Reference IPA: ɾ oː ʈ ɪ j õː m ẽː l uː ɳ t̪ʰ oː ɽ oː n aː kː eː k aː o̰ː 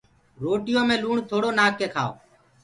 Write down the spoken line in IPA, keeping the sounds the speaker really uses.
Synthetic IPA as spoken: ɾ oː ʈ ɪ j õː m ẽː l uː ɳ t̪ʰ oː ɽ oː n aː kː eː kʰ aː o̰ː